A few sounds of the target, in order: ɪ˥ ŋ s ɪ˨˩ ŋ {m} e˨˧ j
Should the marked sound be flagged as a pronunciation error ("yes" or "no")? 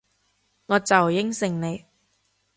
yes